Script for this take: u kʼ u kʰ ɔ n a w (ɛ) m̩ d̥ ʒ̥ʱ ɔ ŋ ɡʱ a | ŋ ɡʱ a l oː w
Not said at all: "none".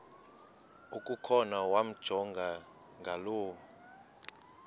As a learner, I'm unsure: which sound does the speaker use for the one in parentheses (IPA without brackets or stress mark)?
a